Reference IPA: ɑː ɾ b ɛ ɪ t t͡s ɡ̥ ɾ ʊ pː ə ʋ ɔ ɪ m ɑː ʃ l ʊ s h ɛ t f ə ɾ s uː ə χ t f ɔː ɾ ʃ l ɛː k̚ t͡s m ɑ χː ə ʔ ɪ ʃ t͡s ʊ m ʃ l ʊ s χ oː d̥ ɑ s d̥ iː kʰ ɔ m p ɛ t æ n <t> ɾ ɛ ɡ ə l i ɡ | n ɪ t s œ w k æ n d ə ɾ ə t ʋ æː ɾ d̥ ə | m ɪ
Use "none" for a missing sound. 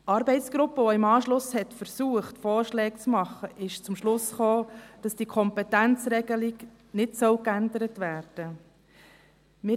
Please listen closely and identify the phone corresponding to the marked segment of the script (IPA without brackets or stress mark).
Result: t͡s